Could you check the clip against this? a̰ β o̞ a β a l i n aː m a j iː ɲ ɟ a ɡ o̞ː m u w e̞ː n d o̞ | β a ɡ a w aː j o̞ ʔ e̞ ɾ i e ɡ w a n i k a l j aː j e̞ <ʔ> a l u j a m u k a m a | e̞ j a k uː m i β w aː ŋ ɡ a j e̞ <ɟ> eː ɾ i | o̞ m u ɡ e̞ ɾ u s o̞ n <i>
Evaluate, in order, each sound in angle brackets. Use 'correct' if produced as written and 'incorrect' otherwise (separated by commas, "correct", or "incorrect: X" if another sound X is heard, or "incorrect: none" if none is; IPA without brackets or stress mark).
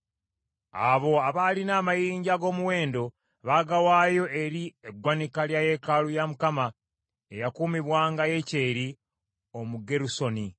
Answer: incorrect: k, incorrect: c, correct